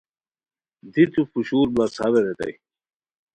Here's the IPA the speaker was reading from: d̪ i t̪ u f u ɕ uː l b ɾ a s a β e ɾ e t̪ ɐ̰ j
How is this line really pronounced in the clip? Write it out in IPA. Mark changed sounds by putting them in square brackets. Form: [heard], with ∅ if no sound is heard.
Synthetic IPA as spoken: d̪ i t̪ u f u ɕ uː [ɾ] b [l] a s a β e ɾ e t̪ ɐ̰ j